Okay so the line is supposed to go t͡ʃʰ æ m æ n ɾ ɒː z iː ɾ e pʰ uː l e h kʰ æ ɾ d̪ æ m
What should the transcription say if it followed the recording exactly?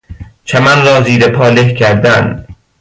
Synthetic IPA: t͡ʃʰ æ m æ n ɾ ɒː z iː ɾ e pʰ ɒː l e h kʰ æ ɾ d̪ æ n